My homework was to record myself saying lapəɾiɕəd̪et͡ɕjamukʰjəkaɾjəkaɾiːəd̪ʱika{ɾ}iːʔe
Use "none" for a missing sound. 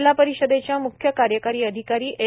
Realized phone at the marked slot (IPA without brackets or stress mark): ɾ